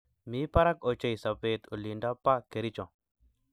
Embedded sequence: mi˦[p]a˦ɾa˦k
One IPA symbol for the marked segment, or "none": p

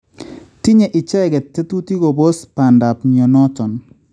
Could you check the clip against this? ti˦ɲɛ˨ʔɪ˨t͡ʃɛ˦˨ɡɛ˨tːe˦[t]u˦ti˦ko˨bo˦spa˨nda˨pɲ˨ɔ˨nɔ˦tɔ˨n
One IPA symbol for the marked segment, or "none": t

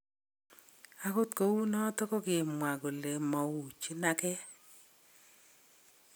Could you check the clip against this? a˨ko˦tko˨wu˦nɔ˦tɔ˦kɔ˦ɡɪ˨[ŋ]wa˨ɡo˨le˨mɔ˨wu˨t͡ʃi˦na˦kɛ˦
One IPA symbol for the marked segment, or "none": m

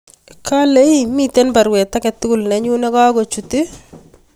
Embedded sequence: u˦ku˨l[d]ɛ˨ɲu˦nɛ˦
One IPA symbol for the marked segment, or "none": n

